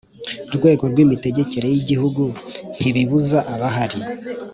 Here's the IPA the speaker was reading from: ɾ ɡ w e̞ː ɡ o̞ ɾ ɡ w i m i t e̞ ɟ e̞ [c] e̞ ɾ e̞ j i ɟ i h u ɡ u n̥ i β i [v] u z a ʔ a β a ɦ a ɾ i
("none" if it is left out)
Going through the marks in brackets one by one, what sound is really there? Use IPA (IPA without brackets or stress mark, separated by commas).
c, β